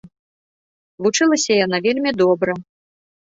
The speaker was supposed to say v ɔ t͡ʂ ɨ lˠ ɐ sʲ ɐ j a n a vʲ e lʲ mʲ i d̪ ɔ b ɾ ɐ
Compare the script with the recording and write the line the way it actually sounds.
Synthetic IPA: v u t͡ʂ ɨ lˠ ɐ sʲ ɐ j a n a vʲ e lʲ mʲ i d̪ ɔ b ɾ ɐ